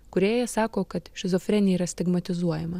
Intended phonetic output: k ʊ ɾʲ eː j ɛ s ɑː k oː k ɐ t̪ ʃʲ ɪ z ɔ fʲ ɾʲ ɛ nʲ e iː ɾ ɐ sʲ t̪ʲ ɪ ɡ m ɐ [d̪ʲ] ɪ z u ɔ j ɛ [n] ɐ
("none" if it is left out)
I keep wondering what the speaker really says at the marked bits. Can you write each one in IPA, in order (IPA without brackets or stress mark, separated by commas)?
t̪ʲ, m